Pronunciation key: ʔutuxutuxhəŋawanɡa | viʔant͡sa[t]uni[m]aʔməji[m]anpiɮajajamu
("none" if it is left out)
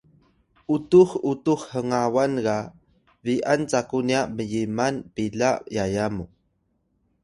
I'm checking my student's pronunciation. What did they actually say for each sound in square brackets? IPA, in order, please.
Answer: k, none, m

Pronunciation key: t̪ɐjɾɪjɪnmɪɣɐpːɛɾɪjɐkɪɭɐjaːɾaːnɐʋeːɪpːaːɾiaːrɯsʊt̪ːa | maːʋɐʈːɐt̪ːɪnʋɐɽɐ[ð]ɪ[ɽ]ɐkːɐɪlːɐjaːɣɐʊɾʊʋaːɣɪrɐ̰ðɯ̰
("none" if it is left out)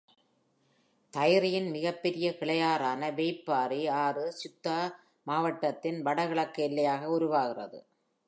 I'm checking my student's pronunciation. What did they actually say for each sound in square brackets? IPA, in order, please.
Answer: ɣ, ɭ

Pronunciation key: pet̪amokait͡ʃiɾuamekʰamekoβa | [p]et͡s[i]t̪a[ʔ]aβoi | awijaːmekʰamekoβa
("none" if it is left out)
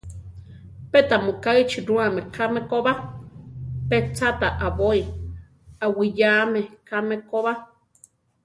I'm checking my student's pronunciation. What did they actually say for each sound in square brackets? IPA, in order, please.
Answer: p, a, ʔ

